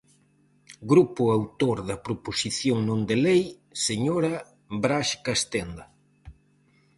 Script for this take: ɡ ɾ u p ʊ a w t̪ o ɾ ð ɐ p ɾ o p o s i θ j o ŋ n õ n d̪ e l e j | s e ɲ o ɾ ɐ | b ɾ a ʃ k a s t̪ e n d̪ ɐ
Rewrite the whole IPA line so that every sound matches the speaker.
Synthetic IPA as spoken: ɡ ɾ u p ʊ a w t̪ o ɾ ð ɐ p ɾ o p o s i θ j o ŋ n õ n d̪ e l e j | s e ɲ o ɾ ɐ | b ɾ a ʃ k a s t̪ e n d̪ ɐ